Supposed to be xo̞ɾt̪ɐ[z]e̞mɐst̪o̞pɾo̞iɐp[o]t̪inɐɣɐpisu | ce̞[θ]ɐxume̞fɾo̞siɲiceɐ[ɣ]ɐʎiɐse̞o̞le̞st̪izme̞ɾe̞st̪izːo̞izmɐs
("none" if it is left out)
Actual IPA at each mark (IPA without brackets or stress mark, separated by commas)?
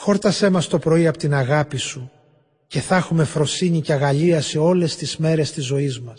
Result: s, o, θ, ɣ